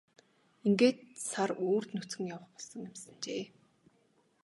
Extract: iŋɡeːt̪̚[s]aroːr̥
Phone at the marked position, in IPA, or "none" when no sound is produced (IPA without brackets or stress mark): s